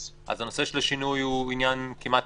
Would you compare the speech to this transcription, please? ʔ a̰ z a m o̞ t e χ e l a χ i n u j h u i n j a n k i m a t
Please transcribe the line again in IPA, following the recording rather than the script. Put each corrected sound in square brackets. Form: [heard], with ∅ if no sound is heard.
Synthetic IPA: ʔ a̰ z a [n] o̞ [s] e [ʃ] e l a [ʃ] i n u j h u i n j a n k i m a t